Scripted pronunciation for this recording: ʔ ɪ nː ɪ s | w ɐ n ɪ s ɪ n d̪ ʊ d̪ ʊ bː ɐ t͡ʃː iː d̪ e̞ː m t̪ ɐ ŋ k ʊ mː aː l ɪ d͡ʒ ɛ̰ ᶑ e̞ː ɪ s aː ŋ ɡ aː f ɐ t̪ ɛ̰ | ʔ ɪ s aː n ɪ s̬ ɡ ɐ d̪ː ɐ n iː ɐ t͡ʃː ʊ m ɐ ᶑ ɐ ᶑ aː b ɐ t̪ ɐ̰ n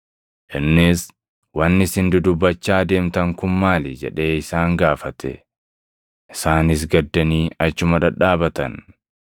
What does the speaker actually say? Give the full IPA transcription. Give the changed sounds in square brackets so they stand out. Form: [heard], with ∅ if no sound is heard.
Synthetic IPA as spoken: ʔ ɪ nː ɪ s | w ɐ [nː] ɪ s ɪ n d̪ ʊ d̪ ʊ bː ɐ t͡ʃː [aː] d̪ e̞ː m t̪ ɐ ŋ k ʊ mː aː l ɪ d͡ʒ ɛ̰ ᶑ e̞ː ɪ s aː ŋ ɡ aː f ɐ t̪ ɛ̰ | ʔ ɪ s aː n ɪ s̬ ɡ ɐ d̪ː ɐ n iː ɐ t͡ʃː ʊ m ɐ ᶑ ɐ ᶑ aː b ɐ t̪ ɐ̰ n